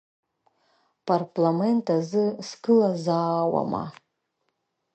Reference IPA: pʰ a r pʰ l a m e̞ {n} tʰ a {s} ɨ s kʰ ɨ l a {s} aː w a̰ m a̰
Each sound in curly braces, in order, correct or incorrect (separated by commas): correct, incorrect, incorrect